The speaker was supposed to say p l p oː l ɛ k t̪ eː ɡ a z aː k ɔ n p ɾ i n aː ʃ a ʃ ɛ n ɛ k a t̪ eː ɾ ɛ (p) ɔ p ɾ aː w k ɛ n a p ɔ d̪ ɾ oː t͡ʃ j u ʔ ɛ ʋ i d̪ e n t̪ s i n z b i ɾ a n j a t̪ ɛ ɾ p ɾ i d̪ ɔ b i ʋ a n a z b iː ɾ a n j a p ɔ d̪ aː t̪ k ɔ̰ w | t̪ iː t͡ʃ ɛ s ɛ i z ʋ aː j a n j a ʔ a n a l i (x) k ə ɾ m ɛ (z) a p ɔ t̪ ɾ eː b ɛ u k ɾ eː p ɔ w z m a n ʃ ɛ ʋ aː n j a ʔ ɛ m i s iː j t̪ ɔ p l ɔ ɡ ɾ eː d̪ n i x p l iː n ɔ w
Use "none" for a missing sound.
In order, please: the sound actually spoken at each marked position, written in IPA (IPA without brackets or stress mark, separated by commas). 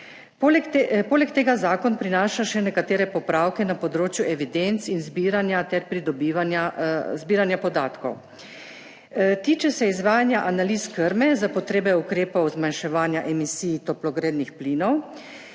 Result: p, s, z